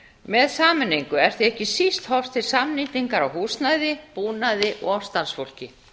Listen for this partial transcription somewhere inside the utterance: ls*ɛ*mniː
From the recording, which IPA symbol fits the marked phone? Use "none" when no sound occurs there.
a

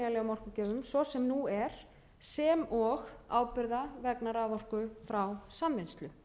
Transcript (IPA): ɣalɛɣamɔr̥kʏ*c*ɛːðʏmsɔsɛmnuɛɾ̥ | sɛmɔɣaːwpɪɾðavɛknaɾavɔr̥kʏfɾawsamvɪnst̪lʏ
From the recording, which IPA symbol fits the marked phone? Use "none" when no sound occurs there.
c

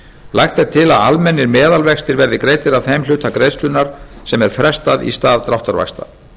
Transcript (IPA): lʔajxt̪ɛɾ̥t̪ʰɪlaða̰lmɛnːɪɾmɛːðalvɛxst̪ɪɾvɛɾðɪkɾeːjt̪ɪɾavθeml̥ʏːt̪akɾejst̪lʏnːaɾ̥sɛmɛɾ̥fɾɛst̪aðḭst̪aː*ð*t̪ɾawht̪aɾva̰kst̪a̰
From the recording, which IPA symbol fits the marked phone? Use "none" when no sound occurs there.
ð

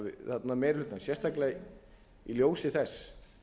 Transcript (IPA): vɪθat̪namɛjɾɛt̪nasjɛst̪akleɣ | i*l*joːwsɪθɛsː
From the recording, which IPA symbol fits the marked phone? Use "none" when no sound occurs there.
l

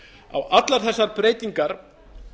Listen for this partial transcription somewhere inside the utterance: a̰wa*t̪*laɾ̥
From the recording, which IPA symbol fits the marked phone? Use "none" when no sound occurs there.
t̪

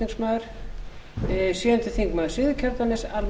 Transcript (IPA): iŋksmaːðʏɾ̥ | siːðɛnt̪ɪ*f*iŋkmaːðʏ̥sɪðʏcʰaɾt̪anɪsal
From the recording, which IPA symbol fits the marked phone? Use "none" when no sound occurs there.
θ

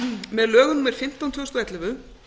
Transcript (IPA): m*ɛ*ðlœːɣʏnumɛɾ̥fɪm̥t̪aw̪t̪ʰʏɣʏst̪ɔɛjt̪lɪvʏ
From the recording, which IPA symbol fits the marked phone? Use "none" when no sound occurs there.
ɛ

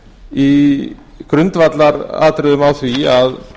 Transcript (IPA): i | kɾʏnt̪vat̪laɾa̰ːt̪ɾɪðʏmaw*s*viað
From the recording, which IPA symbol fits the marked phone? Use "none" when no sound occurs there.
θ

